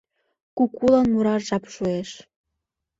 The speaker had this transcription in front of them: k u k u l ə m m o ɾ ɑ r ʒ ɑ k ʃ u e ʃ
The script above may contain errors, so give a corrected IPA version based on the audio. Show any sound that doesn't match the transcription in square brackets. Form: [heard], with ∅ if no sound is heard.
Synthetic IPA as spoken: k u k u l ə [n] m [u] ɾ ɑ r ʒ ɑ [p] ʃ u e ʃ